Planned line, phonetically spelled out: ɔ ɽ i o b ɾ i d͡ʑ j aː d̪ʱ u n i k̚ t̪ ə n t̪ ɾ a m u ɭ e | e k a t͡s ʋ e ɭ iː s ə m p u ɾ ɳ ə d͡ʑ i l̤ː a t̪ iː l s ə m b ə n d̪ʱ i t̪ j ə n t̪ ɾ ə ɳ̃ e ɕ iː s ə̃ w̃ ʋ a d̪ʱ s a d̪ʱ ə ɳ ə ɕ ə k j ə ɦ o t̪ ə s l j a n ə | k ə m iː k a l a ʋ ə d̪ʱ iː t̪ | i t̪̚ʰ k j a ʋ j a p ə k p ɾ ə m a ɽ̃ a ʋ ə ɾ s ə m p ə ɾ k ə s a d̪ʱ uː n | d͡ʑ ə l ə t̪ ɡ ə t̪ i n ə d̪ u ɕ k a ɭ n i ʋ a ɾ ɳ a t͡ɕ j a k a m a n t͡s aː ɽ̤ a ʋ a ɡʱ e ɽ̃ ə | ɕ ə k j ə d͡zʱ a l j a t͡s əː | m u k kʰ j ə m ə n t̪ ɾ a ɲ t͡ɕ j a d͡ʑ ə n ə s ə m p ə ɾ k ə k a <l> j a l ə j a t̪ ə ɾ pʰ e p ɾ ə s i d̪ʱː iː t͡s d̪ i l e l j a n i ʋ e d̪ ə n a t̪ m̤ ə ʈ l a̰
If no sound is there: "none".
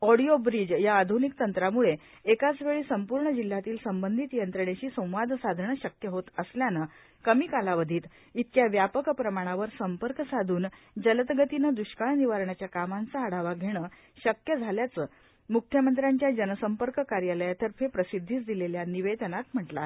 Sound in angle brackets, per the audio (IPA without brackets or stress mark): ɾ